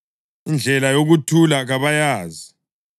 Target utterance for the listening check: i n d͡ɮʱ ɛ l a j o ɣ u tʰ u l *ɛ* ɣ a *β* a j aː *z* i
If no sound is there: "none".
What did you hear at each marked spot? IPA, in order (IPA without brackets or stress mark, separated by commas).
a, β, z